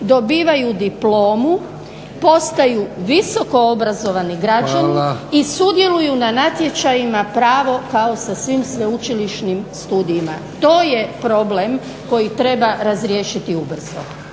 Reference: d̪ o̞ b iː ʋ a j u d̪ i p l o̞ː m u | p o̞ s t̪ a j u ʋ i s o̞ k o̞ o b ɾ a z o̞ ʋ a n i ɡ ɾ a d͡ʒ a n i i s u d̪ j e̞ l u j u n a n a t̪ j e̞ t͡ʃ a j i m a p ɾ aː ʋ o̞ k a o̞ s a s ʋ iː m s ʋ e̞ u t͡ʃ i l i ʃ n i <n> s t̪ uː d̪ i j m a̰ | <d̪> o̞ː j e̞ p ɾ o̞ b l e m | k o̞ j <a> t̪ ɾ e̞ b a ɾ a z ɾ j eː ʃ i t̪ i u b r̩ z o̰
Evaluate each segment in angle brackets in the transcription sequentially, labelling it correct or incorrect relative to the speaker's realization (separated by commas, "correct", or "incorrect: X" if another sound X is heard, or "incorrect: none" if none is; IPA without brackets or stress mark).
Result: incorrect: m, incorrect: t̪, incorrect: i